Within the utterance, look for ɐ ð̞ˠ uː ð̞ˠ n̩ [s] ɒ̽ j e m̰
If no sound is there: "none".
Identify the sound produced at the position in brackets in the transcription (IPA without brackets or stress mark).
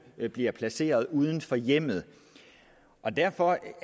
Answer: f